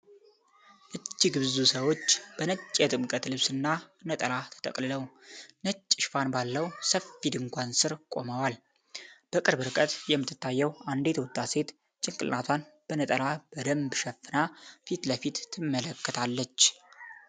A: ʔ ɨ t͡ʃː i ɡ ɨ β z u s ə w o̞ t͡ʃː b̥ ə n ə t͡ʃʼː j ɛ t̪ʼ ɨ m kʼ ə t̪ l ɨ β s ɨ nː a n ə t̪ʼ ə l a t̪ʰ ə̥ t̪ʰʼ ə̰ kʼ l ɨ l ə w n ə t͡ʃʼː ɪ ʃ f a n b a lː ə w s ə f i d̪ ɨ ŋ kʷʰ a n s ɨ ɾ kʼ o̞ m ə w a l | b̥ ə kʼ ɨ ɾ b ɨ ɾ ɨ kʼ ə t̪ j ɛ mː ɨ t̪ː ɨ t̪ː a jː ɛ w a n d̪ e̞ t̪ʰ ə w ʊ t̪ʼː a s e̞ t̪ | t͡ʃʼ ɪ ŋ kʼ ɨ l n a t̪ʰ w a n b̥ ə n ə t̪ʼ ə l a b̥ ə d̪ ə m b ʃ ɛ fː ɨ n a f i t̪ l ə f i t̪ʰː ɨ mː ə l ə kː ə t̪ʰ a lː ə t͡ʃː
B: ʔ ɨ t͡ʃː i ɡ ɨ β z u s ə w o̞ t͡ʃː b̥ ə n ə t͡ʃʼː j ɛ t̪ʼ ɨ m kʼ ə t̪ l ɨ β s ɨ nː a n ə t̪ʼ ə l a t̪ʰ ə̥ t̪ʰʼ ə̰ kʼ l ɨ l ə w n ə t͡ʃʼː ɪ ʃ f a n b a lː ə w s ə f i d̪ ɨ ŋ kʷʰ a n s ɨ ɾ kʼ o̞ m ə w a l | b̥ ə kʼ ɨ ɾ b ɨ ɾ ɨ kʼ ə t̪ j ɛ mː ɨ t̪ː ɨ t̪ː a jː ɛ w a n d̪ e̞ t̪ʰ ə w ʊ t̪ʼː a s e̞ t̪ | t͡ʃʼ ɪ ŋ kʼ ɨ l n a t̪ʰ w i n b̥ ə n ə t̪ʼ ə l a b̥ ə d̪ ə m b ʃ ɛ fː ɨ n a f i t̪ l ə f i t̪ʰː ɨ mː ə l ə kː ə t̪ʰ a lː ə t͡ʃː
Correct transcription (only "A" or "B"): A